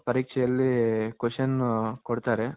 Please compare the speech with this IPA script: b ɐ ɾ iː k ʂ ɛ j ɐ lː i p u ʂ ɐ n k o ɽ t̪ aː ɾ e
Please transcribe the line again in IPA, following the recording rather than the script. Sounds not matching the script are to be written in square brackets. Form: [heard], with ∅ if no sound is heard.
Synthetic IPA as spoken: [p] ɐ ɾ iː k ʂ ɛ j ɐ lː i [k] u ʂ ɐ n k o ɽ t̪ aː ɾ e